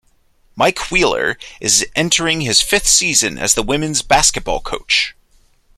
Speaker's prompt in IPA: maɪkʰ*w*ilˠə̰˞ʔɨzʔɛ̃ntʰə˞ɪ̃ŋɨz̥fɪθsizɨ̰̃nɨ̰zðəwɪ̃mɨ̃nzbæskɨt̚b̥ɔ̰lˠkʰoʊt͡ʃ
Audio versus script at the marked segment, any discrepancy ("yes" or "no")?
no